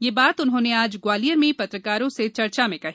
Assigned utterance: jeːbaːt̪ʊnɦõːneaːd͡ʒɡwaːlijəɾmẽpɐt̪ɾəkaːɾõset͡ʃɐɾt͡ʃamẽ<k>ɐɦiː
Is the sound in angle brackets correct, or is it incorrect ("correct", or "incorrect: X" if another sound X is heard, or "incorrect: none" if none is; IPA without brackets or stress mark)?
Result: correct